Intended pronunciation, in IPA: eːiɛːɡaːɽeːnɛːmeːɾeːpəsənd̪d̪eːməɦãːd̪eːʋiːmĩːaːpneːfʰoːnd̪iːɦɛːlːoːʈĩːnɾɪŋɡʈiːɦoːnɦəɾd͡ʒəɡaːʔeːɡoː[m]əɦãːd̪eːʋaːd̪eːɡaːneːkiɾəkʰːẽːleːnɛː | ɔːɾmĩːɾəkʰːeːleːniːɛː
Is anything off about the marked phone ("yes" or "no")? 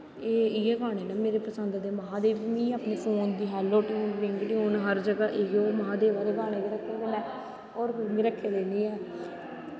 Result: no